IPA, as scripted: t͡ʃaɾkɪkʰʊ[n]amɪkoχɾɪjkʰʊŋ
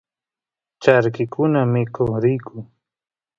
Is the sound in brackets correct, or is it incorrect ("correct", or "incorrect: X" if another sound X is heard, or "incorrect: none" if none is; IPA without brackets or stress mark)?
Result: correct